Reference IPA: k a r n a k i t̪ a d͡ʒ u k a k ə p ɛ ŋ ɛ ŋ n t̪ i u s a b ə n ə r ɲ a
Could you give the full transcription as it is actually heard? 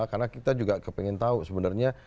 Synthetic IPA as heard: k a r n a k i t̪ a d͡ʒ u ɡ a k ə p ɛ ŋ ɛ n t̪ a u s ə b ə n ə r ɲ a